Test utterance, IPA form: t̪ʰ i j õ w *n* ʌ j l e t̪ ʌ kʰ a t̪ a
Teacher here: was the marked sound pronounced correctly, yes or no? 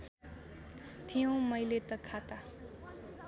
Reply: no